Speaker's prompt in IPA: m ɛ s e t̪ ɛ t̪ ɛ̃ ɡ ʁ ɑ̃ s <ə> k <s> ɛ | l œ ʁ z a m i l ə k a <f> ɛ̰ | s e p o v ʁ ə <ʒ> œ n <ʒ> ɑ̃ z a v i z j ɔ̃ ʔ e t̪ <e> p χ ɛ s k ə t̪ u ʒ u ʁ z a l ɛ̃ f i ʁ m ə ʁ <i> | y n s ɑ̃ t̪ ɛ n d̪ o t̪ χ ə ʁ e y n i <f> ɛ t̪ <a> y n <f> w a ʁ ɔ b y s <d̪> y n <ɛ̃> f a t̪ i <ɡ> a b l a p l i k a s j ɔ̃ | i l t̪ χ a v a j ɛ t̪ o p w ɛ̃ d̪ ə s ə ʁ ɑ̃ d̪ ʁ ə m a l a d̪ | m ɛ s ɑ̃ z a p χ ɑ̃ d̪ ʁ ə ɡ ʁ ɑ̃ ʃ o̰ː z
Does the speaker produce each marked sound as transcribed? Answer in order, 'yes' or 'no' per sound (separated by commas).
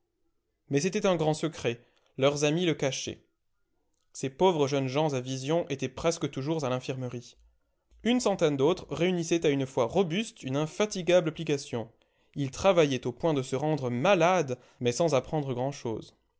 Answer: yes, no, no, yes, yes, no, yes, no, yes, yes, no, yes, yes